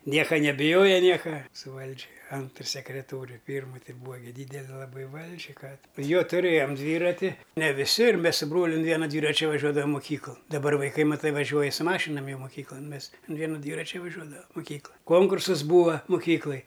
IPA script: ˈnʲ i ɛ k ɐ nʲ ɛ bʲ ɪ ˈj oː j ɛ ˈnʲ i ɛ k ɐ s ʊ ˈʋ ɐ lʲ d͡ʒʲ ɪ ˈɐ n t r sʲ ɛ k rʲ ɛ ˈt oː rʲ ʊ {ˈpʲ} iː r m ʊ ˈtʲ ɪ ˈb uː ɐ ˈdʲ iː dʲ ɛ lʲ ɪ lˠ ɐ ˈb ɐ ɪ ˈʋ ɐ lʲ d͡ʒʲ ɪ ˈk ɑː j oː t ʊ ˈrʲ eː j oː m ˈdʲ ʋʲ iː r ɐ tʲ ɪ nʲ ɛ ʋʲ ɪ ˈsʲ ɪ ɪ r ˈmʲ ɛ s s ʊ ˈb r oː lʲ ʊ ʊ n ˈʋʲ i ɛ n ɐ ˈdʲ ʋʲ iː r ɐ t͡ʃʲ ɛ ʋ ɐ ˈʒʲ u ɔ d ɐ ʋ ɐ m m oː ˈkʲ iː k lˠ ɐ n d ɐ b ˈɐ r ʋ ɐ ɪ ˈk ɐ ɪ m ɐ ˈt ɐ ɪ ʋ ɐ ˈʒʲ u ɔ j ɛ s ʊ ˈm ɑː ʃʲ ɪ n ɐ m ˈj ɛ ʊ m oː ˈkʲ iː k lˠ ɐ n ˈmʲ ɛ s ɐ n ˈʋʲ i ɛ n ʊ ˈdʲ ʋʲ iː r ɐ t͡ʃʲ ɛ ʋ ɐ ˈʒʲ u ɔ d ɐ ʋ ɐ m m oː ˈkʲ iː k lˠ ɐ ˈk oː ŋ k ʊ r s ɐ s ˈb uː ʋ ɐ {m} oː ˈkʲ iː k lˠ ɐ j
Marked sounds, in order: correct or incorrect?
correct, correct

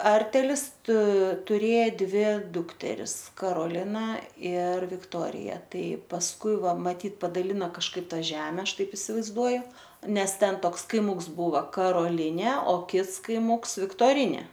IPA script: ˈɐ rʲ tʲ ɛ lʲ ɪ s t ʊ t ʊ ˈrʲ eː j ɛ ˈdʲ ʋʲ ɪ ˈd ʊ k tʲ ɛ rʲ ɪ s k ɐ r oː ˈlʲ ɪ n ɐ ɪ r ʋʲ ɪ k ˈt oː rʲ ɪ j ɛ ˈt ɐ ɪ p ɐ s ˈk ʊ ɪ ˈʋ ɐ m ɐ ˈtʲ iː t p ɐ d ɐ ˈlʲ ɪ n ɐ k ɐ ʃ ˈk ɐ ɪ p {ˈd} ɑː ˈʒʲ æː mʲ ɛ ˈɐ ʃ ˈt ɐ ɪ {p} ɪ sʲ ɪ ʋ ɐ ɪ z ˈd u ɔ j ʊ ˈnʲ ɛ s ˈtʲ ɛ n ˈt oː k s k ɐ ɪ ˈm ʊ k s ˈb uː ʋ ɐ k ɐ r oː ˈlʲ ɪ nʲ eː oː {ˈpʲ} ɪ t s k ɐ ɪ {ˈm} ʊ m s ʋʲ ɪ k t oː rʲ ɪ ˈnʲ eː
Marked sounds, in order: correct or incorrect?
incorrect, correct, incorrect, correct

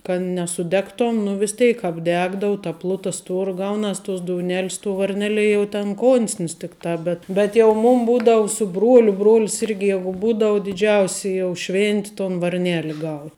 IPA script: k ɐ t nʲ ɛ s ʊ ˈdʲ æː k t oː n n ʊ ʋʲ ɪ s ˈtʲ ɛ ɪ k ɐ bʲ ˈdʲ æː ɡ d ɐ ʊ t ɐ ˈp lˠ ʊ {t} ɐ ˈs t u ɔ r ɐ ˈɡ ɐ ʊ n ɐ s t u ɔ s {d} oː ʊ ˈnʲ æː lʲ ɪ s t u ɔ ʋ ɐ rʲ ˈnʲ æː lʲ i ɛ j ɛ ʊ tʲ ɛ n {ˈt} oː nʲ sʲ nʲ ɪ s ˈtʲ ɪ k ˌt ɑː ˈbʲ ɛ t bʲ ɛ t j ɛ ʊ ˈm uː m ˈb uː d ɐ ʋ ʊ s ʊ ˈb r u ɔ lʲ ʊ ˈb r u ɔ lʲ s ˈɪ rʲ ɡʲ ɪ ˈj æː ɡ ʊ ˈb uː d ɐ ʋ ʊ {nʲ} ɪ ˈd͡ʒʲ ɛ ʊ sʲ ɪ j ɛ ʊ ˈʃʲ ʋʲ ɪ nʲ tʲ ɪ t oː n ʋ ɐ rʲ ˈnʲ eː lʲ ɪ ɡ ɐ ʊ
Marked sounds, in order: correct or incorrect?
correct, correct, incorrect, incorrect

